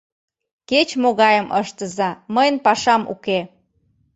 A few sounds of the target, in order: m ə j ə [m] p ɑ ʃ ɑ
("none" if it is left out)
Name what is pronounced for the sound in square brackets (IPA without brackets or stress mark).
n